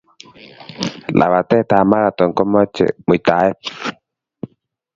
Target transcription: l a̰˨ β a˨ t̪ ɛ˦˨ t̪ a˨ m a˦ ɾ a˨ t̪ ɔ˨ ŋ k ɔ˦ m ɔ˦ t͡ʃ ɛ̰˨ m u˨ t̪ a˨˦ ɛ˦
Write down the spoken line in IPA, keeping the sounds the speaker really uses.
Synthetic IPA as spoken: l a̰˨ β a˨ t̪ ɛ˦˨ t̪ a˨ m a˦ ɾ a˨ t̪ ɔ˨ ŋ k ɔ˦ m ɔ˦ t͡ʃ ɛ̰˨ m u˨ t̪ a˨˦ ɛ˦